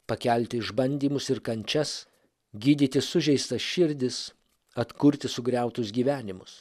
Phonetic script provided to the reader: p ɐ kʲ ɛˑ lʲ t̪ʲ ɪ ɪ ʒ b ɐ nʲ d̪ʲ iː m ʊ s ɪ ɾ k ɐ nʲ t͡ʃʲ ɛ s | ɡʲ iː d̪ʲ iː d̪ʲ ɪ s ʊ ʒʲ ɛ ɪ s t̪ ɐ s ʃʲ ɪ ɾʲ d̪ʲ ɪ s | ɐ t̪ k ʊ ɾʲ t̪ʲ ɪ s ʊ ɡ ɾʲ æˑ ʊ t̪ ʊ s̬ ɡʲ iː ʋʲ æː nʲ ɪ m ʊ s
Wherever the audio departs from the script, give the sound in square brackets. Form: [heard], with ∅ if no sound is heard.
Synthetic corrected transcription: p ɐ kʲ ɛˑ lʲ t̪ʲ ɪ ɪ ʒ b ɐ nʲ d̪ʲ iː m ʊ s ɪ ɾ k ɐ nʲ t͡ʃʲ ɛ s | ɡʲ iː d̪ʲ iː [t̪ʲ] ɪ s ʊ ʒʲ ɛ ɪ s t̪ ɐ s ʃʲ ɪ ɾʲ d̪ʲ ɪ s | ɐ t̪ k ʊ ɾʲ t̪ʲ ɪ s ʊ ɡ ɾʲ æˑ ʊ t̪ ʊ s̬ ɡʲ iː ʋʲ æː nʲ ɪ m ʊ s